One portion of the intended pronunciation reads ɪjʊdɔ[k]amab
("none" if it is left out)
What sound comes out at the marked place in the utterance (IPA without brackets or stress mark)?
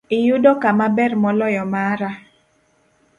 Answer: k